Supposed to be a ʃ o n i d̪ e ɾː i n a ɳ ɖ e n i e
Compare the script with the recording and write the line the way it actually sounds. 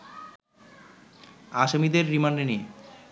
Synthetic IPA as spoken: a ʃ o m i d̪ e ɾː i m a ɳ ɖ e n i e